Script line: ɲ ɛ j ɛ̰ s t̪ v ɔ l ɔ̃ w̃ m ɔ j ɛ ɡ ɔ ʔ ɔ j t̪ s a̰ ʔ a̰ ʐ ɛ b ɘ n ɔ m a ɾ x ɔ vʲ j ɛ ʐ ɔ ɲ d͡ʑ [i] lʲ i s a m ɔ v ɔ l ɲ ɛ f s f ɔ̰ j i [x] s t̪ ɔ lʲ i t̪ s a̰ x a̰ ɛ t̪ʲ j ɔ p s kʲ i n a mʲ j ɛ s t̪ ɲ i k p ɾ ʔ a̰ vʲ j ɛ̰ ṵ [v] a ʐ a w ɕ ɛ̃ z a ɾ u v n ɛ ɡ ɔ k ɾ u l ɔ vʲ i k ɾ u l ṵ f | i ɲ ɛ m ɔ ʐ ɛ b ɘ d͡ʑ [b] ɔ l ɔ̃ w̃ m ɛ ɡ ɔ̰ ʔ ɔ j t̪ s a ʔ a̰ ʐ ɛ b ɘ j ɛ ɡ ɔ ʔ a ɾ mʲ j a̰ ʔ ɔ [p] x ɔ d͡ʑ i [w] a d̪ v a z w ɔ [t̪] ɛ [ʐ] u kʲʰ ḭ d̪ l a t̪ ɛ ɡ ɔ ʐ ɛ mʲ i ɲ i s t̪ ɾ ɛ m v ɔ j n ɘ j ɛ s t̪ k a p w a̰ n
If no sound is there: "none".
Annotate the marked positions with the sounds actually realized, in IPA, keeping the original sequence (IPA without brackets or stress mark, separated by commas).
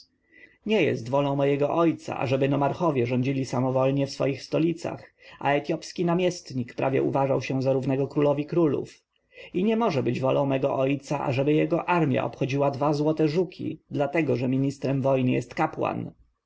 i, x, v, v, p, w, t̪, ʐ